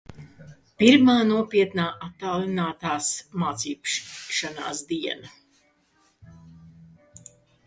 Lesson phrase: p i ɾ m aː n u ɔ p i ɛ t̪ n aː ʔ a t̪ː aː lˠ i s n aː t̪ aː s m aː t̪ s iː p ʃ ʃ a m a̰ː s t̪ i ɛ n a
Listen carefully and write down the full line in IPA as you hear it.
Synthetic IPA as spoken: p i ɾ m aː n u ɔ p i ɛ t̪ n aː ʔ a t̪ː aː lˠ i n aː t̪ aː s m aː t̪ s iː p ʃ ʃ a n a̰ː s d̪ i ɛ n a